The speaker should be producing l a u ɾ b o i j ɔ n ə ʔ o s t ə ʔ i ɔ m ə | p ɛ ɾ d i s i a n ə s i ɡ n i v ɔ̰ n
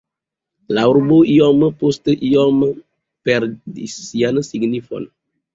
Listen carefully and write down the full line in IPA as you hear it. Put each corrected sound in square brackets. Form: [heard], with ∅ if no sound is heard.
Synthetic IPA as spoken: l a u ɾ b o i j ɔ [m] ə [p] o s t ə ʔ i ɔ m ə | p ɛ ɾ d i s i a n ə s i ɡ n i [f] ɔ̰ n